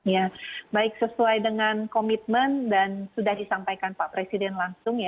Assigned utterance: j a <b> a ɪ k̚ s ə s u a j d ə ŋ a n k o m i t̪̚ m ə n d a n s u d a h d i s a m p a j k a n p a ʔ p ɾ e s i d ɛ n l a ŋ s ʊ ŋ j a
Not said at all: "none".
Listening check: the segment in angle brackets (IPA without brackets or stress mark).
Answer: b